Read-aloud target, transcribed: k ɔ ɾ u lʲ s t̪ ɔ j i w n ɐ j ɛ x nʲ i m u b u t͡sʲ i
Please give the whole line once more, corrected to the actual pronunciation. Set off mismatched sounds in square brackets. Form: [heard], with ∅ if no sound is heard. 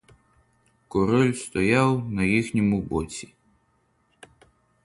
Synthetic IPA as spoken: k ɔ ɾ [ɔ] lʲ s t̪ ɔ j [a] w n ɐ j [i] x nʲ i m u b [ɔ] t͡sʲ i

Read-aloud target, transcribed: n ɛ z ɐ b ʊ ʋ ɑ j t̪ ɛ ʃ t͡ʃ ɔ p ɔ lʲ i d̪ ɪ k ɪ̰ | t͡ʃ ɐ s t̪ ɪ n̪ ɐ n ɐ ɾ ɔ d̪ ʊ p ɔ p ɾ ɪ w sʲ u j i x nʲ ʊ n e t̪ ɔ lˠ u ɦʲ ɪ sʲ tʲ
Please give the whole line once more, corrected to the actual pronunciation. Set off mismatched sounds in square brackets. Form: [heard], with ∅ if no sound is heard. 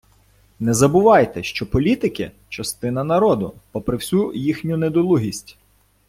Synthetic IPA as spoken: n ɛ z ɐ b ʊ ʋ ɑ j t̪ ɛ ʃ t͡ʃ ɔ p ɔ lʲ i [t̪] ɪ k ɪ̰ | t͡ʃ ɐ s t̪ ɪ n̪ ɐ n ɐ ɾ ɔ d̪ ʊ p ɔ p ɾ ɪ w sʲ u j i x nʲ ʊ n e [d̪] ɔ lˠ u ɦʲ [i] sʲ tʲ

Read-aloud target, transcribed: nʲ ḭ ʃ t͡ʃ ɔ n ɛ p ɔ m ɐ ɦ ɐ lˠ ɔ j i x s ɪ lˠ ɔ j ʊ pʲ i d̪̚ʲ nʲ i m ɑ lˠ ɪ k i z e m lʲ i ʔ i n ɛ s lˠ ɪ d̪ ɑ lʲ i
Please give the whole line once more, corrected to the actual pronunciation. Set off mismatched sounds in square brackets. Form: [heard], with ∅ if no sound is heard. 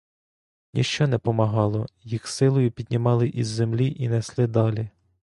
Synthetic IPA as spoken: nʲ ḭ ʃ t͡ʃ ɔ n ɛ p ɔ m ɐ ɦ [ɑ] lˠ ɔ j i x s ɪ lˠ ɔ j ʊ pʲ i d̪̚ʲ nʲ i m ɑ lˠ ɪ [ʔ] i [zː] e m lʲ i ʔ i n ɛ s lˠ ɪ d̪ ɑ lʲ i

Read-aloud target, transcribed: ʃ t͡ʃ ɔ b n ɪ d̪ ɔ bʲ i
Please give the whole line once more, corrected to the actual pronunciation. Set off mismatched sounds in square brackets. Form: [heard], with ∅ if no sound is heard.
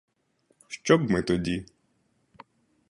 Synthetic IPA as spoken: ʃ t͡ʃ ɔ b [m] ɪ [t̪] ɔ [dʲ] i

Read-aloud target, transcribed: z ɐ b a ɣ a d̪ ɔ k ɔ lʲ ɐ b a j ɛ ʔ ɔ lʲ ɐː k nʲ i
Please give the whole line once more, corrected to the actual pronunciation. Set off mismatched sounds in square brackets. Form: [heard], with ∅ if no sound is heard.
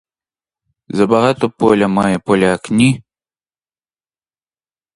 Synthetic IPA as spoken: z ɐ b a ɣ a [t̪] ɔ [p] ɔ lʲ ɐ [m] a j ɛ [p] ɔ lʲ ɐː k nʲ i

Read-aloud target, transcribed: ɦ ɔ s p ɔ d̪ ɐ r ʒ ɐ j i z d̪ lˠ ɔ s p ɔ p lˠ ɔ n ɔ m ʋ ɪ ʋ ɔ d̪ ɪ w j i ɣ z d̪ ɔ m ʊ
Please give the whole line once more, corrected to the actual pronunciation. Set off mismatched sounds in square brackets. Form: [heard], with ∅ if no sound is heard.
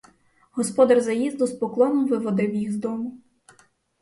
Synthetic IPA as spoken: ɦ ɔ s p ɔ d̪ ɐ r [z] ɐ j i z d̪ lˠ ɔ s p ɔ [k] lˠ ɔ n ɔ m ʋ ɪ ʋ ɔ d̪ ɪ w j i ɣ z d̪ ɔ m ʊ

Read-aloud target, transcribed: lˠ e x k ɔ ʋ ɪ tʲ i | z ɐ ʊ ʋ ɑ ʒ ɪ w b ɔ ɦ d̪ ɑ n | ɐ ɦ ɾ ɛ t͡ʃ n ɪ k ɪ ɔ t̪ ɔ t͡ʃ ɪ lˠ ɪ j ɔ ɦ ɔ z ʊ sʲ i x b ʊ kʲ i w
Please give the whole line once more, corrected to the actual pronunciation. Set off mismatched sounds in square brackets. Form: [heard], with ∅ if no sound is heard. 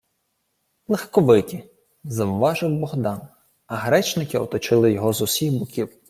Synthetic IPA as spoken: lˠ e x k ɔ ʋ ɪ tʲ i | z ɐ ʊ ʋ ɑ ʒ ɪ w b ɔ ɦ d̪ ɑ n | ɐ ɦ ɾ ɛ t͡ʃ n ɪ k ɪ ɔ t̪ ɔ t͡ʃ ɪ lˠ ɪ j ɔ ɦ ɔ z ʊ sʲ i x b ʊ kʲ i w

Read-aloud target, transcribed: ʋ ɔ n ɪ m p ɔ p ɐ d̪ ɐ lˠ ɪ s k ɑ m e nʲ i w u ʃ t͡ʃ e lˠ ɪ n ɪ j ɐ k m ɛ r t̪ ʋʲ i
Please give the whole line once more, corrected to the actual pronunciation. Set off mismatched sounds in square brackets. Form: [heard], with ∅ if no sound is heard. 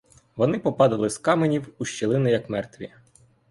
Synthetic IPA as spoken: ʋ ɔ n ɪ [∅] p ɔ p [ɑ] d̪ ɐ lˠ ɪ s k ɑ m e nʲ i w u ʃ t͡ʃ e lˠ ɪ n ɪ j ɐ k m ɛ r t̪ ʋʲ i

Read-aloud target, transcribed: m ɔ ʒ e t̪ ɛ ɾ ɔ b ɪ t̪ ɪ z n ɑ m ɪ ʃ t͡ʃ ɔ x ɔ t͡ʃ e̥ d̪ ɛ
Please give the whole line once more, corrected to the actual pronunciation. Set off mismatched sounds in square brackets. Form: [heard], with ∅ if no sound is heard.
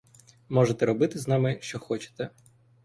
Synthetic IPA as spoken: m ɔ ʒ e t̪ ɛ ɾ ɔ b ɪ t̪ ɪ z n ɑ m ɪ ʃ t͡ʃ ɔ x ɔ t͡ʃ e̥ [t̪] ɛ

